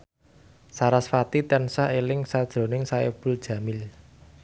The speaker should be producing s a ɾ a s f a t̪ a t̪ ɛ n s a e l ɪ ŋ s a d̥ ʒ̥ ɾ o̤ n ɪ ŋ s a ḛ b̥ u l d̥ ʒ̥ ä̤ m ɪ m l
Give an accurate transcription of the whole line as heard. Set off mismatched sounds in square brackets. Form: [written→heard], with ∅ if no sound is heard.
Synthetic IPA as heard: s a ɾ a s f a t̪ [a→i] t̪ ɛ n s a e l ɪ ŋ s a d̥ ʒ̥ ɾ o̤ n ɪ ŋ s a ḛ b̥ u l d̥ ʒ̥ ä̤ m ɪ [m→∅] l

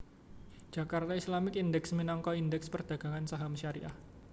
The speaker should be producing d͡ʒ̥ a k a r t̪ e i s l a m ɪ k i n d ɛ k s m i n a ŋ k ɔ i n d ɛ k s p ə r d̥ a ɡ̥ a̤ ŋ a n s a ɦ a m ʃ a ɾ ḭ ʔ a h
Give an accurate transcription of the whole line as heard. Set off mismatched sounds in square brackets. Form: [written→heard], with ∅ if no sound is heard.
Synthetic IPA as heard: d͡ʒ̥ a k a r t̪ [e→a] i s l a m ɪ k i n d ɛ k s m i n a ŋ k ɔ i n d ɛ k s p ə r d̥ a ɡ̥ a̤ ŋ a n s a ɦ a m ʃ a ɾ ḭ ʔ a h

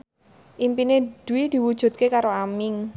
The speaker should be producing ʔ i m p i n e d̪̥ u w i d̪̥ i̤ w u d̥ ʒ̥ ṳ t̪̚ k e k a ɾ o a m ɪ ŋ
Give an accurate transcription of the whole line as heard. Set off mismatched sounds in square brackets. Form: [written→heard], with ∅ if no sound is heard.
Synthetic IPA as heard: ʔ i m p i n e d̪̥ u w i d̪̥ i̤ w u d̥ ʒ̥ ṳ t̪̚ k e k a ɾ o a m ɪ ŋ

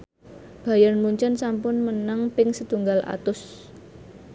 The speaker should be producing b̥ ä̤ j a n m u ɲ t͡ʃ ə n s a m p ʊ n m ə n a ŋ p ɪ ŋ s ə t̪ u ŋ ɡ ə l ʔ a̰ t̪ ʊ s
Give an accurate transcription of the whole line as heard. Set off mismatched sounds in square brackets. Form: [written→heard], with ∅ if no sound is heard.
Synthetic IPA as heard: b̥ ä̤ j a n m u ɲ t͡ʃ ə n s a m p ʊ n m ə n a ŋ p ɪ ŋ s ə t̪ u ŋ ɡ [ə→a] l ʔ a̰ t̪ ʊ s

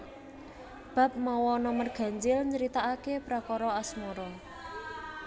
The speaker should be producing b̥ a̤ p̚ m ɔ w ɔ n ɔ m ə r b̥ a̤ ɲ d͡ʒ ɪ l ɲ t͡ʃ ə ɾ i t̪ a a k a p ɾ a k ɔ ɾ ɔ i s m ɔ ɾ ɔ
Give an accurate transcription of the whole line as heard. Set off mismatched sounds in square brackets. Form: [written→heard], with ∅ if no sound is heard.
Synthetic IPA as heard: b̥ a̤ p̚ m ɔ w ɔ n ɔ m ə r [b̥→ɡ̥] a̤ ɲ d͡ʒ ɪ l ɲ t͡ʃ ə ɾ i t̪ a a k [a→e] p ɾ a k ɔ ɾ ɔ [i→a] s m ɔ ɾ ɔ

